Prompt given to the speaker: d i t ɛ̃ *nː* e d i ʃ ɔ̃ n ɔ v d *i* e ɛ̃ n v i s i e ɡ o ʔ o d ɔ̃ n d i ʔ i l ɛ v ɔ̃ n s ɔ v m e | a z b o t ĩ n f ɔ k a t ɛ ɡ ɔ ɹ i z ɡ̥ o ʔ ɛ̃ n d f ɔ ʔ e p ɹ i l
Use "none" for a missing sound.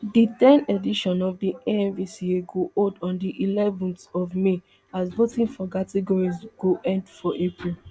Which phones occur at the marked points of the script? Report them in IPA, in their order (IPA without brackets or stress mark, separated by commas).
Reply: n, i